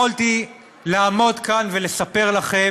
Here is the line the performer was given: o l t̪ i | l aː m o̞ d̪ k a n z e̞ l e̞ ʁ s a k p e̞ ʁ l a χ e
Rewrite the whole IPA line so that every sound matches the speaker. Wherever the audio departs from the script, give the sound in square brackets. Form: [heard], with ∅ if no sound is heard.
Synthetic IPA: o l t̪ i | l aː m o̞ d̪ k a n [v] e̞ l e̞ [∅] s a [∅] p e̞ ʁ l a χ e